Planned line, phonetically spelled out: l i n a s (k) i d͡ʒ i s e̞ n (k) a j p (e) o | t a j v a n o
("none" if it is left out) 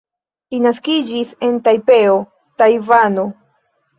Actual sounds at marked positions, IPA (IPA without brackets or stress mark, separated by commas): k, t, e